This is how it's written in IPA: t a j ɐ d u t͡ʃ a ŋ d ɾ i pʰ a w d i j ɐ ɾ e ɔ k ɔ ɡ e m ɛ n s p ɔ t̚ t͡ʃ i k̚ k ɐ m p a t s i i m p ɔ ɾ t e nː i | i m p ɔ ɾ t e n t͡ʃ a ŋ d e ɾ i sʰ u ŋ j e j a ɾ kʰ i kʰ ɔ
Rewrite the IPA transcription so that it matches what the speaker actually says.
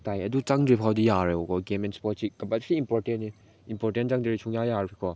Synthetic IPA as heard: t a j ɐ d u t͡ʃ a ŋ d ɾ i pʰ a w d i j a ɾ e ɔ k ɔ ɡ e m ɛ n s p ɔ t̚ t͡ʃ i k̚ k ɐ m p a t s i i m p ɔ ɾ t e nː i | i m p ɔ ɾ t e n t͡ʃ a ŋ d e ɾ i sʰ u ŋ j a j a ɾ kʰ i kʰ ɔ